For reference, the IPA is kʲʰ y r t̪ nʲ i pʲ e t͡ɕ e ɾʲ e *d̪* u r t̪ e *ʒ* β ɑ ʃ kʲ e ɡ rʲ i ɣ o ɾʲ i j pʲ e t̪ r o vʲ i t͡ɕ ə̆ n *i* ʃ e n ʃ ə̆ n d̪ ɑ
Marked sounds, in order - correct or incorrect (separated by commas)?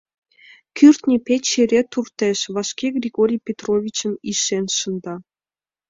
incorrect, incorrect, correct